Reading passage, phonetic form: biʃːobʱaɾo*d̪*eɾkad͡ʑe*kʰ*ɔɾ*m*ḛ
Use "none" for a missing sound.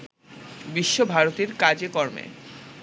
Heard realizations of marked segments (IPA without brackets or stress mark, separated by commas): t̪, k, m